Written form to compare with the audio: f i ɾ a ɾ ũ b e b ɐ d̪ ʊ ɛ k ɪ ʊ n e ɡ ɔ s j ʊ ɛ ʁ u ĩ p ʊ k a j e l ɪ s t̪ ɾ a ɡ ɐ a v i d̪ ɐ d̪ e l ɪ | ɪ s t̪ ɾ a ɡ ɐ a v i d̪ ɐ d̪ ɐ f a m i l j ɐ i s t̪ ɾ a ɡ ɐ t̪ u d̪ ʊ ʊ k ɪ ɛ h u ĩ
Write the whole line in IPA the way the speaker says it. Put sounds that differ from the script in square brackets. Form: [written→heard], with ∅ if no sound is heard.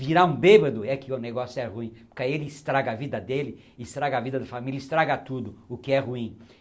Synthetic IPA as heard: [f→v] i ɾ a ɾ ũ b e b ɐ d̪ ʊ ɛ k ɪ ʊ n e ɡ ɔ s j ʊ ɛ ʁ u ĩ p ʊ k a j e l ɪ s t̪ ɾ a ɡ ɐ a v i d̪ ɐ d̪ e l ɪ | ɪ s t̪ ɾ a ɡ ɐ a v i d̪ ɐ d̪ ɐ f a m i l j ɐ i s t̪ ɾ a ɡ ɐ t̪ u d̪ ʊ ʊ k ɪ ɛ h u ĩ